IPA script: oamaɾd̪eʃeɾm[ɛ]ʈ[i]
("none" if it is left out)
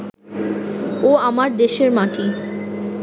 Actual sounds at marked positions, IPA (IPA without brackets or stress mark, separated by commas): a, i